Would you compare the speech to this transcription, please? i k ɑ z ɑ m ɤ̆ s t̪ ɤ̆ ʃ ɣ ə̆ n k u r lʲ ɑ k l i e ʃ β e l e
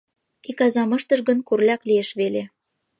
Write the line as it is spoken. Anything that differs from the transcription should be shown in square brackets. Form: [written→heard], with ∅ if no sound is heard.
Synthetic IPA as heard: i k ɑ z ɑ m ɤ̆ [s→ʃ] t̪ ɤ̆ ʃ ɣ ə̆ n k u r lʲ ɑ k l i e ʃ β e l e